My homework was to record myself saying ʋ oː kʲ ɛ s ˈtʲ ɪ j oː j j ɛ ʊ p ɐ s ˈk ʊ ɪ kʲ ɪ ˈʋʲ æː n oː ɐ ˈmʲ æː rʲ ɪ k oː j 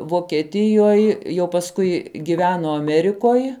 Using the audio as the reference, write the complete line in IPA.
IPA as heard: ʋ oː kʲ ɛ ˈtʲ ɪ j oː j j ɛ ʊ p ɐ s ˈk ʊ ɪ ɡʲ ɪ ˈʋʲ æː n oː ɐ ˈmʲ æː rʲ ɪ k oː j